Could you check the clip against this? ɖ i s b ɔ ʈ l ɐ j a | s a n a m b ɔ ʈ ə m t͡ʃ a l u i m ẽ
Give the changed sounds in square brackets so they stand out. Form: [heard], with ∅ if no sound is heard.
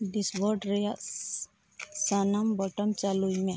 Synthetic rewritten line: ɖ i s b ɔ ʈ [ɾ] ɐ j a | s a n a m b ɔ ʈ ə m t͡ʃ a l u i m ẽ